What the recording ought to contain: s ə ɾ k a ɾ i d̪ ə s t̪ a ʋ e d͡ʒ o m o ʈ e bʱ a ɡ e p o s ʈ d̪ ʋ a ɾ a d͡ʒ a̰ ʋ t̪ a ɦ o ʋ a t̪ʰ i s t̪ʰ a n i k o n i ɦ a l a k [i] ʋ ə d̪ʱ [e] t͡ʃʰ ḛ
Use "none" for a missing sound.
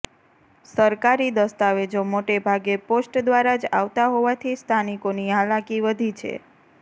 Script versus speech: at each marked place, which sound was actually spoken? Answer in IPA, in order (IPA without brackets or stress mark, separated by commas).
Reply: i, i